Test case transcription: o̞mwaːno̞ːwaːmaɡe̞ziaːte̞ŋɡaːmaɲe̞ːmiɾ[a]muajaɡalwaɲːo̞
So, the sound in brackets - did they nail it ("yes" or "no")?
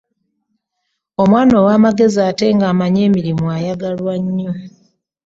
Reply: no